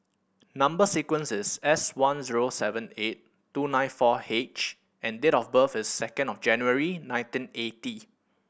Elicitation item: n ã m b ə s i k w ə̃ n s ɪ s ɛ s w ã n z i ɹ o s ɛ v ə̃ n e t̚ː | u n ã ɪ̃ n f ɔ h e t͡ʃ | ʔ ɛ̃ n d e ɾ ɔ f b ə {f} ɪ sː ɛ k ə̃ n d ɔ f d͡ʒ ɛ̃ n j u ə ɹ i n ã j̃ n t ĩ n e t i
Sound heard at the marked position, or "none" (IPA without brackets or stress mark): f